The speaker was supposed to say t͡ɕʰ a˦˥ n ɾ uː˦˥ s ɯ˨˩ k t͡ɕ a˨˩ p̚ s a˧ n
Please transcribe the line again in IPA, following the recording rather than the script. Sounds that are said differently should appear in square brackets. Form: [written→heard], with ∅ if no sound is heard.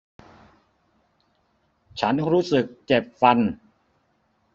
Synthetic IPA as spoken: t͡ɕʰ a˦˥ n ɾ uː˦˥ s ɯ˨˩ k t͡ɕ [a˨˩→e˨˩] p̚ [s→f] a˧ n

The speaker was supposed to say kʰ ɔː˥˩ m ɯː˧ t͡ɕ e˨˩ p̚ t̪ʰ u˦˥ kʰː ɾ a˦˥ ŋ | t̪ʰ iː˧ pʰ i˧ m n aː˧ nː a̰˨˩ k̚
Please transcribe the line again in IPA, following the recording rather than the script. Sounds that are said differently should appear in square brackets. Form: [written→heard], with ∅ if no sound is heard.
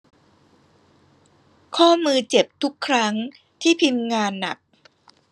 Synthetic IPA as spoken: kʰ ɔː˥˩ m ɯː˧ t͡ɕ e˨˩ p̚ t̪ʰ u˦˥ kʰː ɾ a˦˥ ŋ | t̪ʰ [iː˧→iː˥˩] pʰ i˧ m [n→ŋ] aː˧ nː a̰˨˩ k̚

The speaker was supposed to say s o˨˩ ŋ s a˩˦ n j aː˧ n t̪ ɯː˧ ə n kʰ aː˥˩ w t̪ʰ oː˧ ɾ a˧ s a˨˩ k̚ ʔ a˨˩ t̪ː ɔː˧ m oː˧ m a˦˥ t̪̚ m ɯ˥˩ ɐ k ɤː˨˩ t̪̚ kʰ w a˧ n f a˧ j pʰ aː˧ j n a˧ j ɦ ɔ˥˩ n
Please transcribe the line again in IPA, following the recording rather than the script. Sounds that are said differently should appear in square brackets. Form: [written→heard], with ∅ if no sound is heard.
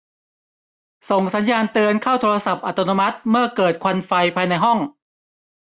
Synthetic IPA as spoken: s o˨˩ ŋ s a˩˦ n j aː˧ n t̪ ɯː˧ ə n kʰ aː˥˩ w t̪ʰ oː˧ ɾ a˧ s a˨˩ [k̚→p̚] ʔ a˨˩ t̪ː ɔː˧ [m→n] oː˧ m a˦˥ t̪̚ m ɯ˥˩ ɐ k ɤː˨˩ t̪̚ kʰ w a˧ n f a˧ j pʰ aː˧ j n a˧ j ɦ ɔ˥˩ [n→ŋ]

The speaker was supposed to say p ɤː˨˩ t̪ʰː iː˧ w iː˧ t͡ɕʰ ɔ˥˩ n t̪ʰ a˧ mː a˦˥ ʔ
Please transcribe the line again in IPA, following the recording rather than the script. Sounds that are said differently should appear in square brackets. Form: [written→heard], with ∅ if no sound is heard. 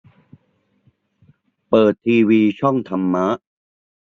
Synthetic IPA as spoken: p ɤː˨˩ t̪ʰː iː˧ w iː˧ t͡ɕʰ ɔ˥˩ [n→ŋ] t̪ʰ a˧ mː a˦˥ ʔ

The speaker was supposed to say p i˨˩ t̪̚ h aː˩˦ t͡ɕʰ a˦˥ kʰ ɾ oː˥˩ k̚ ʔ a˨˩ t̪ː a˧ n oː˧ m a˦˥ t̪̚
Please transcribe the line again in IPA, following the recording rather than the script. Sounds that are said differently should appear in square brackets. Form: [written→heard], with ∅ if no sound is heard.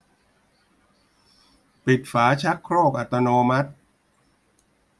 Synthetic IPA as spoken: p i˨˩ t̪̚ [h→f] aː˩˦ t͡ɕʰ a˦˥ kʰ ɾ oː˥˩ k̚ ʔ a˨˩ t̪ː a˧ n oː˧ m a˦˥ t̪̚

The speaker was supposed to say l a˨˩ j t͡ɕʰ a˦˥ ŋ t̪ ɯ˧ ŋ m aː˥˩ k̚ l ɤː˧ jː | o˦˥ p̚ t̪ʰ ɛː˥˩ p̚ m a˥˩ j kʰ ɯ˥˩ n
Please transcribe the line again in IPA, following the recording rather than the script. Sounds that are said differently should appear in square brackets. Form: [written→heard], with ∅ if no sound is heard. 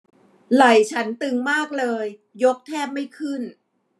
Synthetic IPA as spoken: l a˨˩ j t͡ɕʰ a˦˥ [ŋ→n] t̪ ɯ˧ ŋ m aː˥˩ k̚ l ɤː˧ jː | o˦˥ [p̚→k̚] t̪ʰ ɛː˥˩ p̚ m a˥˩ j kʰ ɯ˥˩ n

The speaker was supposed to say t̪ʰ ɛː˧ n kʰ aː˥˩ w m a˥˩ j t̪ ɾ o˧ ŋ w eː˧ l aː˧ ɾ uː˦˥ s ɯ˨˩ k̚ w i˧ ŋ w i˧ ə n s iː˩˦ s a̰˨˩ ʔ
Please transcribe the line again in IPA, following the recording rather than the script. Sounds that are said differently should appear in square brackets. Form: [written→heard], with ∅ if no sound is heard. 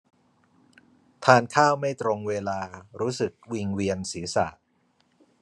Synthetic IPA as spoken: t̪ʰ [ɛː˧→aː˧] n kʰ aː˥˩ w m a˥˩ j t̪ ɾ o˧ ŋ w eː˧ l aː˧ ɾ uː˦˥ s ɯ˨˩ k̚ w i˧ ŋ w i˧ ə n s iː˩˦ s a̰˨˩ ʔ

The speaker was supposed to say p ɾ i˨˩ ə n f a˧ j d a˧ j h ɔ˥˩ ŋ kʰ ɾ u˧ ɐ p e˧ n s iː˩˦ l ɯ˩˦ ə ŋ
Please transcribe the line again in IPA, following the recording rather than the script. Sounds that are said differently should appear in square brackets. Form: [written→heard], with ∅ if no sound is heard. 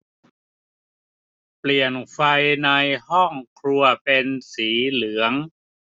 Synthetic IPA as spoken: p [ɾ→l] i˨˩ ə n f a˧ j [d→n] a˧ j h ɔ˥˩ ŋ kʰ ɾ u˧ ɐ p e˧ n s iː˩˦ l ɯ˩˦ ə ŋ

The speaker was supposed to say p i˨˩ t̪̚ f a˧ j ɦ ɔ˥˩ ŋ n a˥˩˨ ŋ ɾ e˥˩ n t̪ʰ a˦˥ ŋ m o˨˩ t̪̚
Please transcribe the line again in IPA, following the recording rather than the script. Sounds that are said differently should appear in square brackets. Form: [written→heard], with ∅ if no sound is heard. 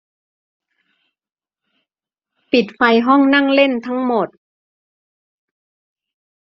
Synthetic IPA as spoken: p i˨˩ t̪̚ f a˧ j ɦ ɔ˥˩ ŋ n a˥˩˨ ŋ [ɾ→l] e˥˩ n t̪ʰ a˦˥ ŋ m o˨˩ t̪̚

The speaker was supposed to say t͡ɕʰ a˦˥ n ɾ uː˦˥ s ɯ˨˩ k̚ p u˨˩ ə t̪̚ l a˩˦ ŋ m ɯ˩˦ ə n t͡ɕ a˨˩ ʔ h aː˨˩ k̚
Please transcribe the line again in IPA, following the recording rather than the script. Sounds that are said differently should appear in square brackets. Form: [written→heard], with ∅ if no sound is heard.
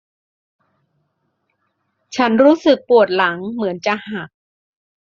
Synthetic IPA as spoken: t͡ɕʰ a˦˥ n ɾ uː˦˥ s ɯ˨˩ k̚ p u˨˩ ə t̪̚ l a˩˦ ŋ m ɯ˩˦ ə n t͡ɕ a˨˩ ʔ h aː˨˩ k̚

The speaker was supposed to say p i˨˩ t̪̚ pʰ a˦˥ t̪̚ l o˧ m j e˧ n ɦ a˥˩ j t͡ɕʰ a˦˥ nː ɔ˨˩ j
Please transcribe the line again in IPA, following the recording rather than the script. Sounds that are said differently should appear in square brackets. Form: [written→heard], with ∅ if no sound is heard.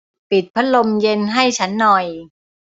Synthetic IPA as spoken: p i˨˩ t̪̚ pʰ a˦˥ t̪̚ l o˧ m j e˧ n ɦ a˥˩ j t͡ɕʰ a˦˥ nː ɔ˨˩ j

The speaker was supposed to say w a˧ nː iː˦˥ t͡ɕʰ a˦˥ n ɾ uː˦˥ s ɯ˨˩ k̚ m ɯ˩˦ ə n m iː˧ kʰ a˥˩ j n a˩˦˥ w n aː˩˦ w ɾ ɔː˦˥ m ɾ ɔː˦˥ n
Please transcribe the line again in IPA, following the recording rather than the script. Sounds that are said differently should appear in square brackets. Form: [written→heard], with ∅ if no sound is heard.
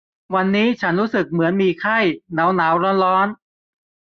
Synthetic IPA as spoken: w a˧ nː iː˦˥ t͡ɕʰ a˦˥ n ɾ uː˦˥ s ɯ˨˩ k̚ m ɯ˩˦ ə n m iː˧ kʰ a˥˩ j n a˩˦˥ w n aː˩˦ w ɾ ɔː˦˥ [m→n] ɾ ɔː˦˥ n

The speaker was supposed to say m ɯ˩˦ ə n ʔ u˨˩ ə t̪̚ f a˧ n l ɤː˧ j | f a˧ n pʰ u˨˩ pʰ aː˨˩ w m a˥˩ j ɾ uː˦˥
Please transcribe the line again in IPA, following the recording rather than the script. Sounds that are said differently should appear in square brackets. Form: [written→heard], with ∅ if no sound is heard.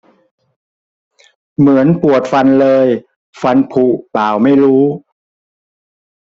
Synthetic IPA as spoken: m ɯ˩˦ ə n [ʔ→p] u˨˩ ə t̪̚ f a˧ n l ɤː˧ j | f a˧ n pʰ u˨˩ [pʰ→p] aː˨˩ w m a˥˩ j ɾ uː˦˥

